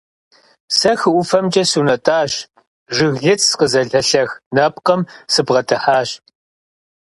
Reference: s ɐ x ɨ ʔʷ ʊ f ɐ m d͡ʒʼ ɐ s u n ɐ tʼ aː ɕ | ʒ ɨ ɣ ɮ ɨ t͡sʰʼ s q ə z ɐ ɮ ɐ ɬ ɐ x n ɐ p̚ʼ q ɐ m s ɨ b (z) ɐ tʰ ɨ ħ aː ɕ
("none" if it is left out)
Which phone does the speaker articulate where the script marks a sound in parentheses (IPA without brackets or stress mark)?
ʁ